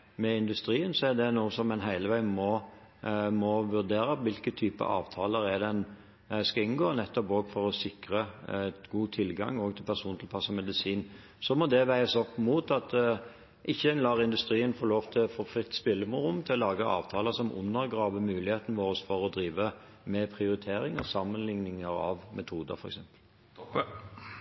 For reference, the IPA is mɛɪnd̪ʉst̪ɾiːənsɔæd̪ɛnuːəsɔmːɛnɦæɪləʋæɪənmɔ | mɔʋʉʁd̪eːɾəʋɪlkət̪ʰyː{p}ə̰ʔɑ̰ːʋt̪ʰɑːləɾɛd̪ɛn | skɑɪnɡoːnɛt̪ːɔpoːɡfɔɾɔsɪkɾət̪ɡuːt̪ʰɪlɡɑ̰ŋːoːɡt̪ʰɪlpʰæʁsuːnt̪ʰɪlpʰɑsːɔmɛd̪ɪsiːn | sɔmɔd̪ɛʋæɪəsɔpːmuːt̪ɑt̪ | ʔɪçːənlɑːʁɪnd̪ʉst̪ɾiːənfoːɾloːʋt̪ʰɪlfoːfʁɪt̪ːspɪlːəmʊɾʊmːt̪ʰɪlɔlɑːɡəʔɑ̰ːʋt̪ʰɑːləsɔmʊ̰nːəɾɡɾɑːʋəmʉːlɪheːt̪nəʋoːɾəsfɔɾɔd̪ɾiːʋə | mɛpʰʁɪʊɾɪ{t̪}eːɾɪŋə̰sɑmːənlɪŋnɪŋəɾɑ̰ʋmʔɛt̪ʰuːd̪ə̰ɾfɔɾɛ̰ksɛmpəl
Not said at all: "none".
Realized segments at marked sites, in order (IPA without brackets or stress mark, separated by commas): p, t̪ʰ